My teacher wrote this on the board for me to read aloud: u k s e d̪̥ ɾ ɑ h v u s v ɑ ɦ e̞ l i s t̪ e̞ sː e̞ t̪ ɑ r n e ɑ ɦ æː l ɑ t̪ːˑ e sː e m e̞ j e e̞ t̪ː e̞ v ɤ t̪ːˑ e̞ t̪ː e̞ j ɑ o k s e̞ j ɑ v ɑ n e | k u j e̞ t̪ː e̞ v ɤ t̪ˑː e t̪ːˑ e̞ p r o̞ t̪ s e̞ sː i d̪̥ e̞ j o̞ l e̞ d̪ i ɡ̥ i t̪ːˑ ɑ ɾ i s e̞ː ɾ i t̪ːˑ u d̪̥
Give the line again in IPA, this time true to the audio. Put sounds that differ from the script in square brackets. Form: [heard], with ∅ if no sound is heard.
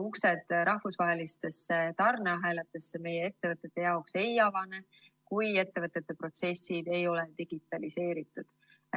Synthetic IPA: u k s e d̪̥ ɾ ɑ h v u s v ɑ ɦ e̞ l i s t̪ e̞ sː e̞ t̪ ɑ r n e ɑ ɦ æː l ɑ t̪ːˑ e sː e m e̞ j e e̞ t̪ː e̞ v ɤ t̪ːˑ e̞ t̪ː e̞ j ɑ o k s e̞ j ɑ v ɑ n e | k u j e̞ t̪ː e̞ v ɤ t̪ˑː e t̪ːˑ e̞ p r o̞ t̪ s e̞ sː i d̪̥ e̞ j o̞ l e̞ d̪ i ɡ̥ i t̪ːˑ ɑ [l] i s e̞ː ɾ i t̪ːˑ u d̪̥

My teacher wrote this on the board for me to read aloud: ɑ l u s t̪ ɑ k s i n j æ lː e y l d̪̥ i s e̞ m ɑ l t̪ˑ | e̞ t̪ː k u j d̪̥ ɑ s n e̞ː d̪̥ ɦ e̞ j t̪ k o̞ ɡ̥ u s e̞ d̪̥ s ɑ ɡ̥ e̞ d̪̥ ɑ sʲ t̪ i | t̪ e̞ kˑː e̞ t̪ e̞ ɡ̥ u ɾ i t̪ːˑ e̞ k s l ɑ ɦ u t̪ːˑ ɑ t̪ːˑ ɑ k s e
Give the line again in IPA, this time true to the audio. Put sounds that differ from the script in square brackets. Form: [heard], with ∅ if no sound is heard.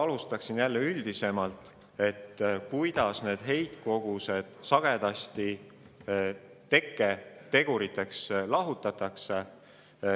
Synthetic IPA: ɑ l u s t̪ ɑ k s i n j æ lː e y l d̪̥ i s e̞ m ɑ l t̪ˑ | e̞ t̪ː k u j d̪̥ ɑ s n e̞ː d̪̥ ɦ e̞ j t̪ k o̞ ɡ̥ u s e̞ d̪̥ s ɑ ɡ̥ e̞ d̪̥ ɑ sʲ t̪ i | t̪ e̞ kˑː e̞ t̪ e̞ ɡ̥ u ɾ i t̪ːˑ e̞ k s l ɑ ɦ u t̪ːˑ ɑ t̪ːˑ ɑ k s e

